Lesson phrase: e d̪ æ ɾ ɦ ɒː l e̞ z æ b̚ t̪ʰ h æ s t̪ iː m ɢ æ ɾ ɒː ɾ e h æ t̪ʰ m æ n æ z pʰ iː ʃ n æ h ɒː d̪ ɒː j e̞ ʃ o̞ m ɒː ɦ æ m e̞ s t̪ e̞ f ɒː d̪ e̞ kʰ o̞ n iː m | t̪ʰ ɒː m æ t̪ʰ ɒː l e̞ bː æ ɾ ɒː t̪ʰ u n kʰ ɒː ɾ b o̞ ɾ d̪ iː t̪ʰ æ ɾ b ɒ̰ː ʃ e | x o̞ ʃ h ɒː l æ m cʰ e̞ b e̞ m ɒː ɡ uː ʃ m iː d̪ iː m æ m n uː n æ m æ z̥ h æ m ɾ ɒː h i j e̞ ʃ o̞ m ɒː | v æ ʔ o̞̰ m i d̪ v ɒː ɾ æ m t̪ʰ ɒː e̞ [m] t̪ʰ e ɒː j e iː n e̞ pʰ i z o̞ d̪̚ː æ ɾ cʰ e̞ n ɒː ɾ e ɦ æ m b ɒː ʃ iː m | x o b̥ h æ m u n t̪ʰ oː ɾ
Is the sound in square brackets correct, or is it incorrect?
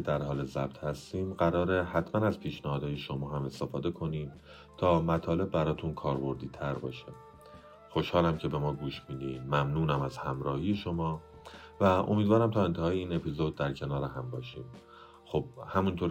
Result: incorrect